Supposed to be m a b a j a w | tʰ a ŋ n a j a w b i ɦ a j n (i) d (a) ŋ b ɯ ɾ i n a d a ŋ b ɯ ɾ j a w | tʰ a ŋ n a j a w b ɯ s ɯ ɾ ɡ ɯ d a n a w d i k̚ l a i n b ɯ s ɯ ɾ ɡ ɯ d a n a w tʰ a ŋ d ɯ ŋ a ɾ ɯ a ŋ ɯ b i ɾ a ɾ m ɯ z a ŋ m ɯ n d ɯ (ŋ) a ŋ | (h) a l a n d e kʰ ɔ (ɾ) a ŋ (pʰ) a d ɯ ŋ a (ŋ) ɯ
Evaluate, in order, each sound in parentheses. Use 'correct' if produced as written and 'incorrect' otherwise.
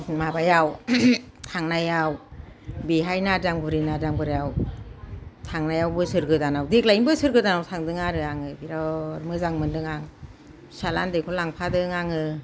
incorrect: a, correct, correct, incorrect: s, incorrect: l, correct, correct

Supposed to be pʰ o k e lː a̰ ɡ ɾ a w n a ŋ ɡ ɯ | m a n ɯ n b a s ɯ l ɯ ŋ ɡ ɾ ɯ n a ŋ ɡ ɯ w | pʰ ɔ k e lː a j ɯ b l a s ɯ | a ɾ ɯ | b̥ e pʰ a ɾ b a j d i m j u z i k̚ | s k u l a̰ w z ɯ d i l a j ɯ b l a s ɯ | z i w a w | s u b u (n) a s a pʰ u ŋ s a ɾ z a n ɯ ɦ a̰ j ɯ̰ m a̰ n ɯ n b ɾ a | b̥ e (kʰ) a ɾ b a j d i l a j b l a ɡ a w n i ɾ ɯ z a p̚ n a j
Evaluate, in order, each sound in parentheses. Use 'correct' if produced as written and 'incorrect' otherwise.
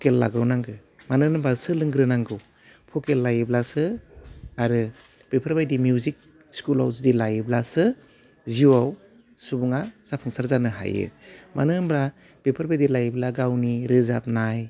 incorrect: ŋ, incorrect: pʰ

